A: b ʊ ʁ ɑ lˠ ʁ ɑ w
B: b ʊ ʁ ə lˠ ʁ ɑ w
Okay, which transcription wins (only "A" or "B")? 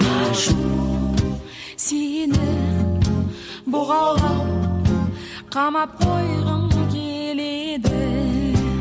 A